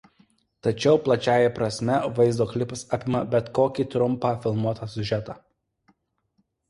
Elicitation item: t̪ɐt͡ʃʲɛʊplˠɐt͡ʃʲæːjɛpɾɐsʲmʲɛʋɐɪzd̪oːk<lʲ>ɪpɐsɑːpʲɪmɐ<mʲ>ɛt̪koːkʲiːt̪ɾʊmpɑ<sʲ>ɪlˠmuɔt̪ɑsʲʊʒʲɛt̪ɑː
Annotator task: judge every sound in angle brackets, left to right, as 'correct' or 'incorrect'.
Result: correct, incorrect: bʲ, incorrect: fʲ

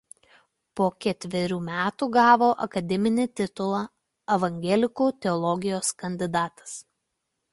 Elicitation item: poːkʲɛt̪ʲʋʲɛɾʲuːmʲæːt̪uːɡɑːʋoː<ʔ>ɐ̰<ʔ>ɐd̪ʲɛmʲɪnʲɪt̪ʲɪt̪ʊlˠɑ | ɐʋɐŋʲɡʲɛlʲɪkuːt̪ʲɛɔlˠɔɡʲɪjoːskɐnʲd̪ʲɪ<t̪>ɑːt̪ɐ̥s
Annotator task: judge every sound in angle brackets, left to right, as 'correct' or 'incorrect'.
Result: correct, incorrect: k, incorrect: d̪

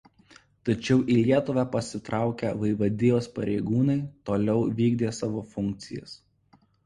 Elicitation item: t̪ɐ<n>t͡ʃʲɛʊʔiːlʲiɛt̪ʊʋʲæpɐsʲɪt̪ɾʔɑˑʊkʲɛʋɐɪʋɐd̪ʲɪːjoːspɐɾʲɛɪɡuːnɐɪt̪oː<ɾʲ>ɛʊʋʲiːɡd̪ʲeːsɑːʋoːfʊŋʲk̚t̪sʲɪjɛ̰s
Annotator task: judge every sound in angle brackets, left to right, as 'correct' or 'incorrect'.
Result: incorrect: none, incorrect: lʲ

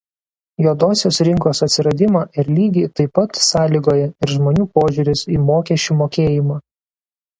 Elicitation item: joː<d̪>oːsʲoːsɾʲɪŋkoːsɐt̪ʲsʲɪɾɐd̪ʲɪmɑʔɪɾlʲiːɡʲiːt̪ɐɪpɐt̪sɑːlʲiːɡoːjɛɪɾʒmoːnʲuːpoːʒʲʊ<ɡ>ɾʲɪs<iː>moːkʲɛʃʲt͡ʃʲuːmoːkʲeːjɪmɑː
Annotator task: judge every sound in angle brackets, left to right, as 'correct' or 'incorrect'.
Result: correct, incorrect: none, correct

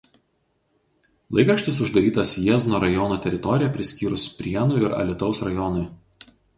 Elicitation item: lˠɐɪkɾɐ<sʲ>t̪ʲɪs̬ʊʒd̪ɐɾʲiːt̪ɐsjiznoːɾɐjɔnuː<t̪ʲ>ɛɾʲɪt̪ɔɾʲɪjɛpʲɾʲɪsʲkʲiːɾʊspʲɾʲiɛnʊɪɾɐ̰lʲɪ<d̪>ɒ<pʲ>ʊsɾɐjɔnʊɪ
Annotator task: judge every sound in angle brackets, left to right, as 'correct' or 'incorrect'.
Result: incorrect: ʃʲ, correct, incorrect: t̪, incorrect: none

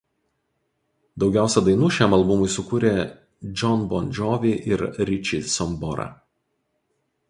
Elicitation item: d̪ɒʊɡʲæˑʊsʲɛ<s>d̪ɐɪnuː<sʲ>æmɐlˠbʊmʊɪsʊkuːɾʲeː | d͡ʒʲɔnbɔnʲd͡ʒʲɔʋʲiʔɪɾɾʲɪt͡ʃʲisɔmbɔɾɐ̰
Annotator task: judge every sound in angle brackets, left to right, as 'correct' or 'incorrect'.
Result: incorrect: none, incorrect: ʃʲ

